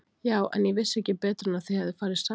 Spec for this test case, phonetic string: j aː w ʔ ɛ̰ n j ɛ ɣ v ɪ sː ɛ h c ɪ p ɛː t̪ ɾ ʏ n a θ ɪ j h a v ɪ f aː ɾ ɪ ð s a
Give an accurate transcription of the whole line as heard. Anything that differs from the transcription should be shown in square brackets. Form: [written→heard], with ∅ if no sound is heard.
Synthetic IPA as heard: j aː w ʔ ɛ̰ n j ɛ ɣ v ɪ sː ɛ h c ɪ p ɛː t̪ ɾ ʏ n a θ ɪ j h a [v→ð] ɪ f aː ɾ ɪ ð s a